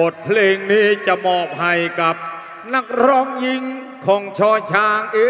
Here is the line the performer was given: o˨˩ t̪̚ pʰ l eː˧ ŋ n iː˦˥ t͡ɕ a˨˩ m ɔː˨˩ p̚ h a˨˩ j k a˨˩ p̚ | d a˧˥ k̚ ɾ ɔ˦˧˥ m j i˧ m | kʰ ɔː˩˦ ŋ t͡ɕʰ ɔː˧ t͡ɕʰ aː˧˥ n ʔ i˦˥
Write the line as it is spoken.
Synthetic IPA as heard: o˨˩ t̪̚ pʰ l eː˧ ŋ n iː˦˥ t͡ɕ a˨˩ m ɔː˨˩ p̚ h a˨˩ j k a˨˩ p̚ | n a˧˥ k̚ ɾ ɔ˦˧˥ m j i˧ ŋ | kʰ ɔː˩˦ ŋ t͡ɕʰ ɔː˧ t͡ɕʰ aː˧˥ ŋ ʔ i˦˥